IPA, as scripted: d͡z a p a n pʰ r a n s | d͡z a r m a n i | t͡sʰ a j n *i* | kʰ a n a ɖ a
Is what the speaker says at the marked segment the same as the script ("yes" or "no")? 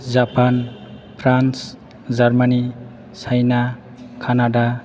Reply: no